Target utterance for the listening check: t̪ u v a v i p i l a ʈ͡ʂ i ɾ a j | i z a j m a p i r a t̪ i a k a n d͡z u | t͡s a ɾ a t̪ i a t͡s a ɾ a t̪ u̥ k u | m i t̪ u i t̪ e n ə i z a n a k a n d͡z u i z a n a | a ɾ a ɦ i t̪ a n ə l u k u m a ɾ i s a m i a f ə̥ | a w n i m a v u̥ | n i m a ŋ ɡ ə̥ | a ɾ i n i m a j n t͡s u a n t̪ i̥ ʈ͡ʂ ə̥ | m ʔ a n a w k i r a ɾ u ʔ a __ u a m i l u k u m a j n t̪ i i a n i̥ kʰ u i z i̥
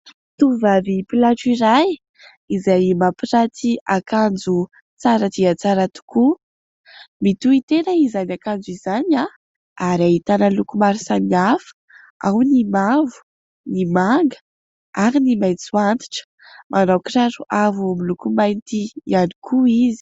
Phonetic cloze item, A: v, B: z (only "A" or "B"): A